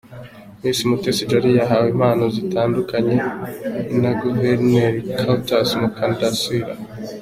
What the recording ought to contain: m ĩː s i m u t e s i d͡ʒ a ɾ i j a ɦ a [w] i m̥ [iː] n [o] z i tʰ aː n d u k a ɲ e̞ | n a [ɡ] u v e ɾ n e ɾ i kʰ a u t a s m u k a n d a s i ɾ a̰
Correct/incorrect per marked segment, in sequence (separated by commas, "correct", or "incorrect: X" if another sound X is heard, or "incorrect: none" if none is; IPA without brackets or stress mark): correct, incorrect: aː, correct, correct